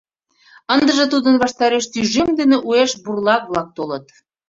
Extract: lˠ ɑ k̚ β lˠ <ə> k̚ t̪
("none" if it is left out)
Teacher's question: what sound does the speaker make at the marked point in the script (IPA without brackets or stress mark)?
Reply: ɑ